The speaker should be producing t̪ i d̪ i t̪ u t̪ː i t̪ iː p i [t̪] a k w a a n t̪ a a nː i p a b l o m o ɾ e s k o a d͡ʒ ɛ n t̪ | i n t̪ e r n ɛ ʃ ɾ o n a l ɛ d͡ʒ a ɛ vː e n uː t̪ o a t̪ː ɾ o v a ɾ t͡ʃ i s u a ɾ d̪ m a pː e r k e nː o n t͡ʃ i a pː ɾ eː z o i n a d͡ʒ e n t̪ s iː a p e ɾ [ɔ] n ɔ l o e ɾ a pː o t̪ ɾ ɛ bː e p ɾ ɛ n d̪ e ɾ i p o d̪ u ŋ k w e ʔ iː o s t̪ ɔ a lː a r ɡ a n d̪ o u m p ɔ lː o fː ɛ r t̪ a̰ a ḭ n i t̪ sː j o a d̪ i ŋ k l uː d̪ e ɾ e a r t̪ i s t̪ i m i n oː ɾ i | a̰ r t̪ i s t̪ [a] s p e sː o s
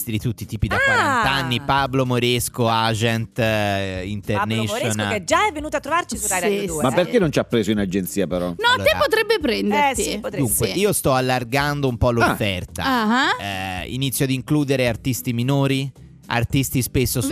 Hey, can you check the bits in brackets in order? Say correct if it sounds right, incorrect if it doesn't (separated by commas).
incorrect, correct, incorrect